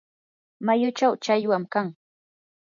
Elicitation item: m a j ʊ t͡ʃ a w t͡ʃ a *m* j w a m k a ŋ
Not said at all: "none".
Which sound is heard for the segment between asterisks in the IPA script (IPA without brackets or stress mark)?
none